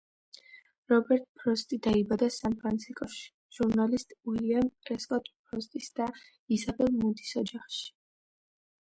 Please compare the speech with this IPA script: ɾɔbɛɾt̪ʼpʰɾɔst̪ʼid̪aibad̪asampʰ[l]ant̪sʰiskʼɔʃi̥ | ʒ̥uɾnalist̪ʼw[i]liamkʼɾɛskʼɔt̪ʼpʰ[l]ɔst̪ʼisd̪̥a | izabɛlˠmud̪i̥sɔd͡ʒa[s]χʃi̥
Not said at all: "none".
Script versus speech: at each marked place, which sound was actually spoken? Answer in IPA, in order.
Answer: ɾ, i, ɾ, none

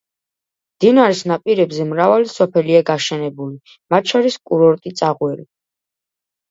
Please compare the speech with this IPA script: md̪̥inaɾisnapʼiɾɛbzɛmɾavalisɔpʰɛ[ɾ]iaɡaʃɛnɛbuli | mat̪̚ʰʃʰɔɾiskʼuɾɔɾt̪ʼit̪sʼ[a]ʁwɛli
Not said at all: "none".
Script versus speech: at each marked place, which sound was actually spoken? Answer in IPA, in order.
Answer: l, a

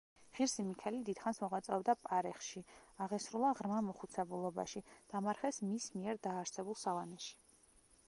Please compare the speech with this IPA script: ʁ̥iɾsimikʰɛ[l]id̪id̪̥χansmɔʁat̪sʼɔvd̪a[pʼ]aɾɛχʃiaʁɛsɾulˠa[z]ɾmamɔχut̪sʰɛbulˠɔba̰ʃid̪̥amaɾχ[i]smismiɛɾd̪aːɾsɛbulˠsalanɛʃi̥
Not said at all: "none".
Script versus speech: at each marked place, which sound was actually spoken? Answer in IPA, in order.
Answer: l, pʼ, ʁ, ɛ

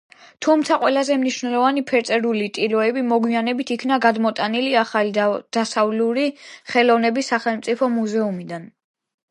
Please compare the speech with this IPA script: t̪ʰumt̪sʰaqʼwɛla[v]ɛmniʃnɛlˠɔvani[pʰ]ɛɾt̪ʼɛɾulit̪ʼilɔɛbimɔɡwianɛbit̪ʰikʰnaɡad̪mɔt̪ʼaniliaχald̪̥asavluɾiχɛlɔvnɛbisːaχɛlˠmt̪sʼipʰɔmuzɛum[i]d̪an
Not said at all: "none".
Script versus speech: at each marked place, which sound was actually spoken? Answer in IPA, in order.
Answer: z, pʰ, i

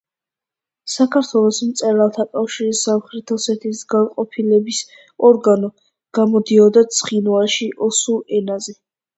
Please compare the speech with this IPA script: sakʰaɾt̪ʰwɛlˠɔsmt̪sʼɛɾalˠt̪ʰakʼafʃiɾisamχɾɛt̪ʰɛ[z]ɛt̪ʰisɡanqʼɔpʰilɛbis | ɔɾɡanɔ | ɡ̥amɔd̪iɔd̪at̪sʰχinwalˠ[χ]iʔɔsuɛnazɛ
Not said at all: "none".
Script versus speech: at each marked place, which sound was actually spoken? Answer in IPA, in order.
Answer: s, ʃ

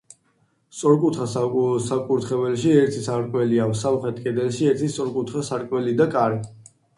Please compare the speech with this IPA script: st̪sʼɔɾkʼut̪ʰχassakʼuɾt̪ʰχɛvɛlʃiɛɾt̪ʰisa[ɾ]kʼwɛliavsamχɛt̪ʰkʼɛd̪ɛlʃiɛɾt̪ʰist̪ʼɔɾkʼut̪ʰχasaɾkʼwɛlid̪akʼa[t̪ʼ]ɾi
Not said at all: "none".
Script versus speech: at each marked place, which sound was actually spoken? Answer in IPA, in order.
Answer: ɾ, none

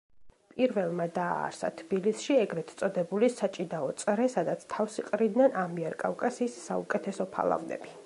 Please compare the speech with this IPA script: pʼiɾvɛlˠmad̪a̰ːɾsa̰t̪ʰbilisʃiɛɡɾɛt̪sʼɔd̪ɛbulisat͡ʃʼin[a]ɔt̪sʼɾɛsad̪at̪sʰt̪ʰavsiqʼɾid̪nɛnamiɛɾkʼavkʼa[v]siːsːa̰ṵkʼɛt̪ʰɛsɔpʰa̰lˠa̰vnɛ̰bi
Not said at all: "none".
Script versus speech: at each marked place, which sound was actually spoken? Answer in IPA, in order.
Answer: a, none

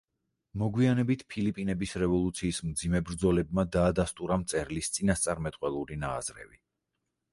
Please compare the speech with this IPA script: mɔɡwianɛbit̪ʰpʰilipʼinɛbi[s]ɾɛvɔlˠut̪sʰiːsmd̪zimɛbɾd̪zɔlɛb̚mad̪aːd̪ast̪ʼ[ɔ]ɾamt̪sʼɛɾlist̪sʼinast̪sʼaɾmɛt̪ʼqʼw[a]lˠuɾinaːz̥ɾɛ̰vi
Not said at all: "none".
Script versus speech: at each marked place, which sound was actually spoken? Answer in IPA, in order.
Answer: s, u, ɛ

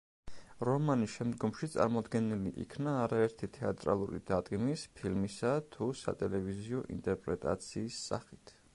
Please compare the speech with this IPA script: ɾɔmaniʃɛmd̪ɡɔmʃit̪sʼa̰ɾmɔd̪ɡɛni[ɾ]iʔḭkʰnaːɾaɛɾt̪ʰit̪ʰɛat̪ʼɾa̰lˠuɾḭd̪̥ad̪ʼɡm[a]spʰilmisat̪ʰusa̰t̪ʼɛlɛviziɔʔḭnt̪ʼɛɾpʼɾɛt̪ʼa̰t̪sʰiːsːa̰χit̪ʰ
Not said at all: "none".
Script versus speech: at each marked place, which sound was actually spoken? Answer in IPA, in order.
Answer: l, i

